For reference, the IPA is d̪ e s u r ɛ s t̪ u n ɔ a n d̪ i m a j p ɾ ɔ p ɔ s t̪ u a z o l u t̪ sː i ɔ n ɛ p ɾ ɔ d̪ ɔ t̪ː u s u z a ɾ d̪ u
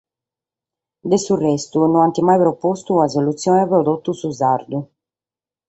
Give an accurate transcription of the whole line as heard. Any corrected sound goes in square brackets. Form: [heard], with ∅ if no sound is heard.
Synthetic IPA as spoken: d̪ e s u r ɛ s t̪ u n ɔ a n [t̪] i m a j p ɾ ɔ p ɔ s t̪ u a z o l u t̪ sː [j] ɔ n ɛ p ɾ ɔ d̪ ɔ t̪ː u s u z a ɾ d̪ u